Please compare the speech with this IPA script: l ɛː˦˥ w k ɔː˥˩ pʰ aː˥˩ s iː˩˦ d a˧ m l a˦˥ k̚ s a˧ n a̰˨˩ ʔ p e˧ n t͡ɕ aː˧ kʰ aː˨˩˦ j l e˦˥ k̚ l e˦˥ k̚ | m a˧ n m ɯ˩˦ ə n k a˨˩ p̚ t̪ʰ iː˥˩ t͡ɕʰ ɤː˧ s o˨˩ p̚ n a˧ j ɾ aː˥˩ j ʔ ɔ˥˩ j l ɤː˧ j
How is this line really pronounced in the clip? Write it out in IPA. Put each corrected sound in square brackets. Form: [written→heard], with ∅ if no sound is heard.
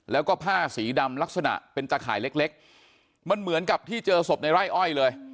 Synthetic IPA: l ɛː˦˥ w k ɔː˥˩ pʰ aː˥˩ s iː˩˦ d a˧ m l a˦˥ k̚ s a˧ n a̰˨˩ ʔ p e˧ n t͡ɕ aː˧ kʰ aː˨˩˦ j l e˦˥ k̚ l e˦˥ k̚ | m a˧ n m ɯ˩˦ ə n k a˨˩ p̚ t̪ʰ iː˥˩ [t͡ɕʰ→t͡ɕ] ɤː˧ s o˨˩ p̚ n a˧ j ɾ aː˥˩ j ʔ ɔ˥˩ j l ɤː˧ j